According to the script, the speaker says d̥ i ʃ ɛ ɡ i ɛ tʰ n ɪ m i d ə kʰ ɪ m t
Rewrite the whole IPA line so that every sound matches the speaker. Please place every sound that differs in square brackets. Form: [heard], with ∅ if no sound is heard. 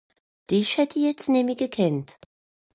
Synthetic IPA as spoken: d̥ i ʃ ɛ [d] i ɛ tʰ n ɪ m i [ɡ] ə kʰ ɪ [n] t